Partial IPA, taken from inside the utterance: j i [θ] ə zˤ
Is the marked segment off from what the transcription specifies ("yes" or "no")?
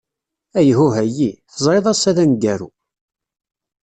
no